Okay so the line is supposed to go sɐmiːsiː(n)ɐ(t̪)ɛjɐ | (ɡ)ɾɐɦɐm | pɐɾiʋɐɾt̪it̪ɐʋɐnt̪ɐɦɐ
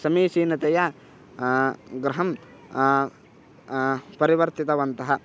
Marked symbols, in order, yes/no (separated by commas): yes, yes, yes